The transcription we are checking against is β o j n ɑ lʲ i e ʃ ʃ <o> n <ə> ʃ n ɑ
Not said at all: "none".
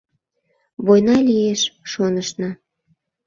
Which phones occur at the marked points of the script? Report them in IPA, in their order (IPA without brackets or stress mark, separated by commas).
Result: o, ə